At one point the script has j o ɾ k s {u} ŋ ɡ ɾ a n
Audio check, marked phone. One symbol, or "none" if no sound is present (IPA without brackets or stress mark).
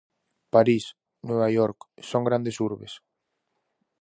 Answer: o